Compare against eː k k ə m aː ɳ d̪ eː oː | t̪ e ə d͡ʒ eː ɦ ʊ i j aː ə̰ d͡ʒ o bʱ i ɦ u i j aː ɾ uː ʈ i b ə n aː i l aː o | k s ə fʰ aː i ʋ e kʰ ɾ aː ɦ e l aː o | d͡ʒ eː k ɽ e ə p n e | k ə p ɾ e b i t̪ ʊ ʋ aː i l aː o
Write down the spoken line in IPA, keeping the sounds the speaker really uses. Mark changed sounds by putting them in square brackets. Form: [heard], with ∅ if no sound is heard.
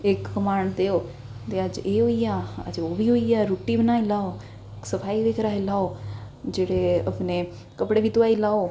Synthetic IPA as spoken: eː k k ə m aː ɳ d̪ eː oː | t̪ e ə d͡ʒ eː ɦ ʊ i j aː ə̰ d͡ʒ o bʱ i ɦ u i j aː ɾ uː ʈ i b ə n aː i l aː o | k s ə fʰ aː i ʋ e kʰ ɾ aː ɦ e l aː o | d͡ʒ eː [∅] ɽ e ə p n e | k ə p [ɽ] e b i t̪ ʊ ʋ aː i l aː o